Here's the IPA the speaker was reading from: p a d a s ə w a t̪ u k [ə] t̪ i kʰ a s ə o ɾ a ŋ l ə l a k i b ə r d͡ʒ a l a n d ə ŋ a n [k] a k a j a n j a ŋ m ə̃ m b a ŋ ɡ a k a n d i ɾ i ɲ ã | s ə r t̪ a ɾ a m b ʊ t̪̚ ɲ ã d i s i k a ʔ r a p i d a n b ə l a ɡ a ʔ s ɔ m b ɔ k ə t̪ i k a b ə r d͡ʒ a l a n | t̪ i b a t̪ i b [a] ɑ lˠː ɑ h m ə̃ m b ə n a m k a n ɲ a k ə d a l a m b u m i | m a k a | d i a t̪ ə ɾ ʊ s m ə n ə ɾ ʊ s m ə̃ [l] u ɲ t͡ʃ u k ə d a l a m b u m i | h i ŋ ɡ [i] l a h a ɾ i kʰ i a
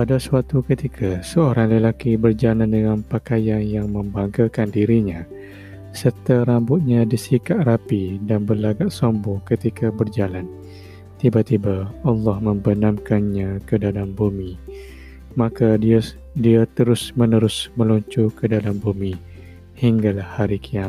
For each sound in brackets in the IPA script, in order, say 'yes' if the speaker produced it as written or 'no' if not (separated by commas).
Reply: yes, no, yes, yes, no